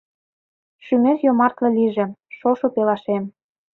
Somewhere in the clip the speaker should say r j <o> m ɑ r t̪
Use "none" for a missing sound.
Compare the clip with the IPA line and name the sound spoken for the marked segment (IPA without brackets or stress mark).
o